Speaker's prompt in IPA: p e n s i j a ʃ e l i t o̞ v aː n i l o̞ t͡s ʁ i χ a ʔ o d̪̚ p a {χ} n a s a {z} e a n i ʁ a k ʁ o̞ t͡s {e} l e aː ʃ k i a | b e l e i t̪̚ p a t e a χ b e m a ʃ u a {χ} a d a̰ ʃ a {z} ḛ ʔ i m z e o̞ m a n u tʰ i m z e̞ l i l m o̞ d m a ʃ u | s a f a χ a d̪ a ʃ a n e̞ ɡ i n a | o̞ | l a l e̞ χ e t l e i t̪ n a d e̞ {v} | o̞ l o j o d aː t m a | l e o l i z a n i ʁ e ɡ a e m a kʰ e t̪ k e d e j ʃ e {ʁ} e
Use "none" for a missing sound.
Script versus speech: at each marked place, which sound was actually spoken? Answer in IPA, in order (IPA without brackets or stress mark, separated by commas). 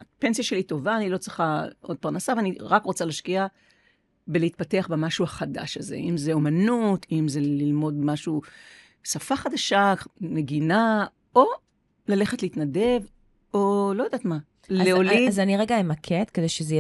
ʁ, v, a, χ, z, v, z